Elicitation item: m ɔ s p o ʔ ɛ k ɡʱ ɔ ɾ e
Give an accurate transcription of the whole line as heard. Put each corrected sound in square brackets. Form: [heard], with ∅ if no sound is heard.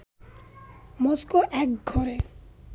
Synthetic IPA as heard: m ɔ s [k] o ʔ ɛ k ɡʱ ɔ ɾ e